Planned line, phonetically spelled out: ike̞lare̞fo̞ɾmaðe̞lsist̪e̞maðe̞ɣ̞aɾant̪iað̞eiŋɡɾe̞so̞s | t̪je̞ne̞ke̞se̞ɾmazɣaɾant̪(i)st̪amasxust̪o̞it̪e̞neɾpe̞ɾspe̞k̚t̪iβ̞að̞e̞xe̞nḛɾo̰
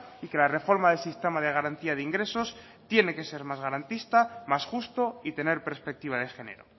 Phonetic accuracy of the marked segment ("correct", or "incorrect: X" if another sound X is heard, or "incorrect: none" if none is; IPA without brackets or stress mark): correct